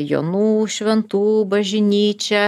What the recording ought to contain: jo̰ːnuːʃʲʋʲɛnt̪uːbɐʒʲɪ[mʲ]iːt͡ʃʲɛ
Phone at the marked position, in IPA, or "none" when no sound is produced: nʲ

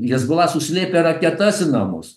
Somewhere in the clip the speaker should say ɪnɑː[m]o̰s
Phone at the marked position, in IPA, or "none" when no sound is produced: m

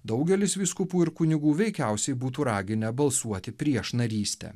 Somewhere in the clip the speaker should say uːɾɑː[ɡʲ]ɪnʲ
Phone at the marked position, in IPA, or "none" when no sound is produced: ɡʲ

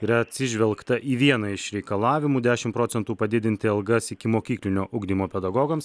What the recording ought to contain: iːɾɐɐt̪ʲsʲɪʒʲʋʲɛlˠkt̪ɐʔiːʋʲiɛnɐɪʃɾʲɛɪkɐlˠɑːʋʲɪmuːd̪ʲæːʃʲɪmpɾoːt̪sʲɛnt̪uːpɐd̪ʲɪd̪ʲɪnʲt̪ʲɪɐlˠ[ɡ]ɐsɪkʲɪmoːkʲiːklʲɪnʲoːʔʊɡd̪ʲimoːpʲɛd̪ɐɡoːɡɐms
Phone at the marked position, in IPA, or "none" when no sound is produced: ɡ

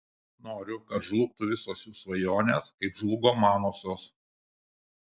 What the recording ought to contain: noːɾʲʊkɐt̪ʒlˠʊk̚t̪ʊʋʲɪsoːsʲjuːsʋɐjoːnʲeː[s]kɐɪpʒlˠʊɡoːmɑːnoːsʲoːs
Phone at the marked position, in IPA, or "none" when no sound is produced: s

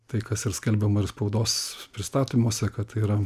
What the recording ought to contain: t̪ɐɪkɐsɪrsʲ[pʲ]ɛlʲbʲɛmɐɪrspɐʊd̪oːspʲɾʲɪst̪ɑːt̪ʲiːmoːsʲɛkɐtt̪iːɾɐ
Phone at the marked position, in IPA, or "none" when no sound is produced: kʲ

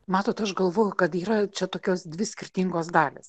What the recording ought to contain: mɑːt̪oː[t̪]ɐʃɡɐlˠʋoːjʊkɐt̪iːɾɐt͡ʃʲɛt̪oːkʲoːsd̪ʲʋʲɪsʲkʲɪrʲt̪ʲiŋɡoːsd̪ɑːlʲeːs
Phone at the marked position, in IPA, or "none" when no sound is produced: t̪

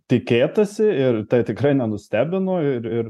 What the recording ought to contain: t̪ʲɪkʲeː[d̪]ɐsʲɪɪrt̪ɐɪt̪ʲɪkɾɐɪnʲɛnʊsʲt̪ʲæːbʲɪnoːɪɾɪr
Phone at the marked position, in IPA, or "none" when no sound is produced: t̪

